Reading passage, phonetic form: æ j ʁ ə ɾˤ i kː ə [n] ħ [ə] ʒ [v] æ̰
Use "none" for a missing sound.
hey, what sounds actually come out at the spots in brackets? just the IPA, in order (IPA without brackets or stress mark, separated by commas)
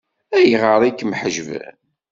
m, ə, v